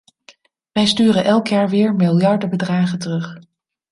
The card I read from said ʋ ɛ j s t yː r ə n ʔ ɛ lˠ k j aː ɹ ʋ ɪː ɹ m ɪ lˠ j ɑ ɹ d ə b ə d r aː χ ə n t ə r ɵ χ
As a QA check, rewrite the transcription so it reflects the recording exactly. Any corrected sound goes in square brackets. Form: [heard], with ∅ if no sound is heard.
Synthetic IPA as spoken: ʋ ɛ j s t yː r ə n ʔ ɛ lˠ k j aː ɹ ʋ ɪː ɹ m ɪ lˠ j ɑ ɹ d ə b ə d r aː χ ə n t ə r ɵ χ